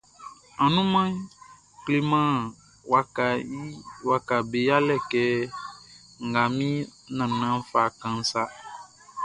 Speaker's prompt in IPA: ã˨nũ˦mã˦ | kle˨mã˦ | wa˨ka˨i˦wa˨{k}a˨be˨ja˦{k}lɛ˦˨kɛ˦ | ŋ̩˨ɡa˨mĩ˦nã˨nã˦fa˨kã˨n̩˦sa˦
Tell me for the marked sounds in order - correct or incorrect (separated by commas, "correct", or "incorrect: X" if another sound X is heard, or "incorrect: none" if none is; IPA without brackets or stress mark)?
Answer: correct, incorrect: none